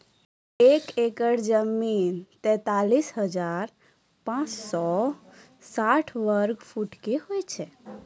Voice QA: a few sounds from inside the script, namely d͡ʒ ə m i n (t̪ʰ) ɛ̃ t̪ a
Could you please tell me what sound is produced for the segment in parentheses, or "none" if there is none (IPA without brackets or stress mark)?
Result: t̪